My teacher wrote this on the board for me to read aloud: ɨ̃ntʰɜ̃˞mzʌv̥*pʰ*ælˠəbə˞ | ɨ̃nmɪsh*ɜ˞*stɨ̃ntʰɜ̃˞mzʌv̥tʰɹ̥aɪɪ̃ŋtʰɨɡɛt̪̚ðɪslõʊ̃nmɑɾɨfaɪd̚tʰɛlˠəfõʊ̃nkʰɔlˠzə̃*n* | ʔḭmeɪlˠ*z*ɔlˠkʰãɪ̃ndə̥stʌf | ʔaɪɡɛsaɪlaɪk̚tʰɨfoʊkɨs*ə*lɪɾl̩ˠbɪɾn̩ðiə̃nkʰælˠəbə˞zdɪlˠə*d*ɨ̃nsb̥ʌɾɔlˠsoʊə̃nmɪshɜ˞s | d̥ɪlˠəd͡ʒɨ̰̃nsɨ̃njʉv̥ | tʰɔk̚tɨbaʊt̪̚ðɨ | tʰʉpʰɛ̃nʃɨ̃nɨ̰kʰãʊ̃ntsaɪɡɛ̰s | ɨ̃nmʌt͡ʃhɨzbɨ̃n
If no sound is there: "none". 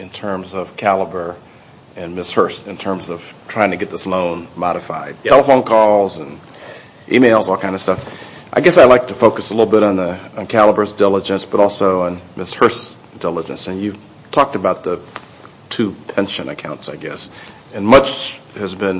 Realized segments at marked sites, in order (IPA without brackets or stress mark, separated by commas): kʰ, ɜ˞, n, z, ə, d͡ʒ